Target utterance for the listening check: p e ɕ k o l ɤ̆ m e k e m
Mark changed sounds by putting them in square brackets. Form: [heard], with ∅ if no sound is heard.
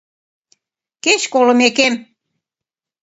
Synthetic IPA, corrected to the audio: [k] e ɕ k o l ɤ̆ m e k e m